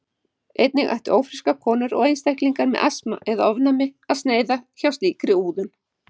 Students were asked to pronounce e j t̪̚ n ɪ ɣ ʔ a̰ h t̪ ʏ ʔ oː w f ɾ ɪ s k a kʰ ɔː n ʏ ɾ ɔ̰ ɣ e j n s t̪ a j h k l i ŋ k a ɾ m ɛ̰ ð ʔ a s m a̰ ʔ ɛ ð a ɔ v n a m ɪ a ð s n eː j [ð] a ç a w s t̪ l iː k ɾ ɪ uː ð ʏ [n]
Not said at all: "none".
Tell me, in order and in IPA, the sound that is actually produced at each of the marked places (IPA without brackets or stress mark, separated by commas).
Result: ð, n